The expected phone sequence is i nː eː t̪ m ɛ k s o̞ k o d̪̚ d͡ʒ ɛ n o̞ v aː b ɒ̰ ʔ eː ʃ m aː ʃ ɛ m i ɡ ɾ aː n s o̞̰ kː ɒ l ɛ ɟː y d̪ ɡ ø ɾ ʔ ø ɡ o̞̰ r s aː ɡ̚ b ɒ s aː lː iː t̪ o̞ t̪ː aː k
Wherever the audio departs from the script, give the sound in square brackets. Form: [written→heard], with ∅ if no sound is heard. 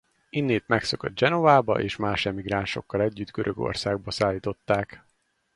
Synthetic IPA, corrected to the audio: i nː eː t̪ m ɛ k s o̞ k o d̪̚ d͡ʒ ɛ n o̞ v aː b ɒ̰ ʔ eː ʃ m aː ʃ ɛ m i ɡ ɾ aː n [s→ʃ] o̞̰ kː ɒ l ɛ ɟː y d̪ ɡ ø ɾ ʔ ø ɡ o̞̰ r s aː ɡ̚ b ɒ s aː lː iː t̪ o̞ t̪ː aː k